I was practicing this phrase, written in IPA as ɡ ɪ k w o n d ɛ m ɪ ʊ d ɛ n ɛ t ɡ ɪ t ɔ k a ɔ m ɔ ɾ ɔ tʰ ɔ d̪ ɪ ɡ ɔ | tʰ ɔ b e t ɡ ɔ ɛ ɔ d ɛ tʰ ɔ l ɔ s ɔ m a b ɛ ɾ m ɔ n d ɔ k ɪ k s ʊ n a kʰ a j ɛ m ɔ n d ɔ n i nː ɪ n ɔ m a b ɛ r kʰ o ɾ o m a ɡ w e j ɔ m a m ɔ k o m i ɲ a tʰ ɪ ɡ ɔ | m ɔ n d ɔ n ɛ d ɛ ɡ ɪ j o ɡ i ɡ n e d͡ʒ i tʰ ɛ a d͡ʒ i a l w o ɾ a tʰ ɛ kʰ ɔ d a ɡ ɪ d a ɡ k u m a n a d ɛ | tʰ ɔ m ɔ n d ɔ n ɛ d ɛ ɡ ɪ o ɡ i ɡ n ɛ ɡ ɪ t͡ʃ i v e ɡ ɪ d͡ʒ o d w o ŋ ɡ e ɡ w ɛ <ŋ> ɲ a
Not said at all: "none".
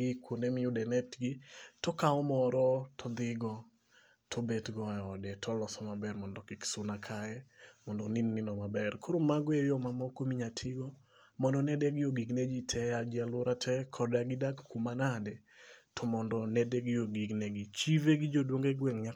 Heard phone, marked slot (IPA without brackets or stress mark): ŋ